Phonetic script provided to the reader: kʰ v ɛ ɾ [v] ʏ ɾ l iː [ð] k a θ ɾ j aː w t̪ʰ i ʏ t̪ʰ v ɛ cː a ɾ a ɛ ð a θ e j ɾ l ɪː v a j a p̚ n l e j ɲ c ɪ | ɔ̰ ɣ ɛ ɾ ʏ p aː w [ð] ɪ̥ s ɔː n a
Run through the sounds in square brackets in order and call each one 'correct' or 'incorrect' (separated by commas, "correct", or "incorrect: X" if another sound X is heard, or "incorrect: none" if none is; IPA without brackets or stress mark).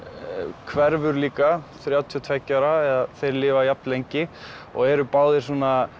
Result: correct, incorrect: none, correct